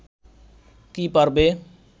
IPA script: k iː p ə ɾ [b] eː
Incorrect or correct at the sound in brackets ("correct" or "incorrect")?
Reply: correct